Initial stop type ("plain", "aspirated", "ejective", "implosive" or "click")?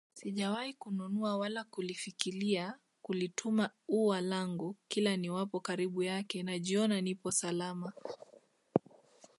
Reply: implosive